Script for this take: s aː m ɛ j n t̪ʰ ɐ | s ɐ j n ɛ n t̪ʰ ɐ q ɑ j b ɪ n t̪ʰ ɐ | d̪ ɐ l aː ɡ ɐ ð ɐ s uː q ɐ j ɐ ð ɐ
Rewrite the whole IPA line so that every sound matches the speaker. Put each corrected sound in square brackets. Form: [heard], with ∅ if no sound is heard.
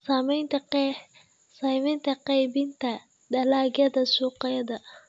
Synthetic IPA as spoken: s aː m ɛ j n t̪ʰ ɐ | s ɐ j [m] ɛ n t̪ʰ ɐ q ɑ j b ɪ n t̪ʰ ɐ | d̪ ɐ l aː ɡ ɐ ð ɐ s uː q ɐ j ɐ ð ɐ

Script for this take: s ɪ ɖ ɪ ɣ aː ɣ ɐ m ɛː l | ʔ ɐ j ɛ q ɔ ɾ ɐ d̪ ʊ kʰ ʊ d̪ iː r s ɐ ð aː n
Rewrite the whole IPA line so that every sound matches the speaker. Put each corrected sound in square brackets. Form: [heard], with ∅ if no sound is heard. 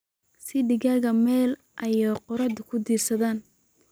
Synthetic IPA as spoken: s ɪ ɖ ɪ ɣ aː ɣ ɐ m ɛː l | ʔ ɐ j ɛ q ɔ ɾ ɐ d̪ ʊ kʰ ʊ d̪ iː r s ɐ ð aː n

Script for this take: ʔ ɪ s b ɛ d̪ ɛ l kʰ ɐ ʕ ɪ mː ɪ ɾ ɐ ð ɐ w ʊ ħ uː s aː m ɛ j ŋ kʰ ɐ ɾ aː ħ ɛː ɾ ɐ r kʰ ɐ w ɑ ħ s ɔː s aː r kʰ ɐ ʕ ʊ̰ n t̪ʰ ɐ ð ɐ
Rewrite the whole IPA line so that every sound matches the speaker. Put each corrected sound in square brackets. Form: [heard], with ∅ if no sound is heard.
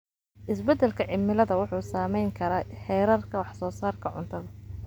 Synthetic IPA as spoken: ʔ ɪ s b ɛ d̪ ɛ l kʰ ɐ ʕ ɪ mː ɪ [l] ɐ ð ɐ w ʊ ħ uː s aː m ɛ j ŋ kʰ ɐ ɾ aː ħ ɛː ɾ ɐ r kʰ ɐ w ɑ ħ s ɔː s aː r kʰ ɐ ʕ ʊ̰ n t̪ʰ ɐ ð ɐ

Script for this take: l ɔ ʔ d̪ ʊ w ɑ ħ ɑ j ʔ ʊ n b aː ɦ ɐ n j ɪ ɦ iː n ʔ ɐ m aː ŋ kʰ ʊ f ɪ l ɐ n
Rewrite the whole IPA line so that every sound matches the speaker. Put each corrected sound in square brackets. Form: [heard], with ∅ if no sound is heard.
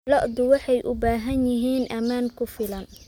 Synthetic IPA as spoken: l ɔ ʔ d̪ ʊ w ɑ ħ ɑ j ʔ ʊ [∅] b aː ɦ ɐ n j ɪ ɦ iː n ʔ ɐ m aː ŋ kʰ ʊ f ɪ l ɐ n

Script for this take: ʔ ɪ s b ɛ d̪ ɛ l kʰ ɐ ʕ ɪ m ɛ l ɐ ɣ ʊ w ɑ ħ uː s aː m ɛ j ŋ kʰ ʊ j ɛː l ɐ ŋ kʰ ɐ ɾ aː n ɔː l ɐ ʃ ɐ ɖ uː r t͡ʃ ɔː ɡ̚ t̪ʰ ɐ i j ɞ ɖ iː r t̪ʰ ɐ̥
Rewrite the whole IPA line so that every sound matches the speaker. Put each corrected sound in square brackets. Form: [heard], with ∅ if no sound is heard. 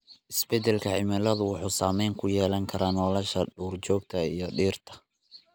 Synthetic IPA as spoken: ʔ ɪ s b ɛ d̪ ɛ l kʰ ɐ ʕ ɪ m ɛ l ɐ [ð] ʊ w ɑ ħ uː s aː m ɛ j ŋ kʰ ʊ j ɛː l ɐ ŋ kʰ ɐ ɾ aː n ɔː l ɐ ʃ ɐ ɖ uː r t͡ʃ ɔː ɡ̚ t̪ʰ ɐ i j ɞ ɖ iː r t̪ʰ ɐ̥

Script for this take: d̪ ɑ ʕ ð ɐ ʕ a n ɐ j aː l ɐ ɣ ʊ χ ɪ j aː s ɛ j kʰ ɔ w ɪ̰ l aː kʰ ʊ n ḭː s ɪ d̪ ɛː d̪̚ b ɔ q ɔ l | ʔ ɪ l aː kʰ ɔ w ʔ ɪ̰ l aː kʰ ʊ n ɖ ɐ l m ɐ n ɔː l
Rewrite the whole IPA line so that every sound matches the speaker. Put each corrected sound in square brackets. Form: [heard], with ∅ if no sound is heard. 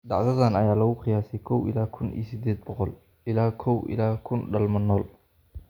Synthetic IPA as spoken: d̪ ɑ ʕ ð ɐ [ð] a n ɐ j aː l ɐ ɣ ʊ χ ɪ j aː s ɛ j kʰ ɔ w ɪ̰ l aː kʰ ʊ n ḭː s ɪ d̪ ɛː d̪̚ b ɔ q ɔ l | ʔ ɪ l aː kʰ ɔ w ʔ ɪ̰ l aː kʰ ʊ n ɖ ɐ l m ɐ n ɔː l

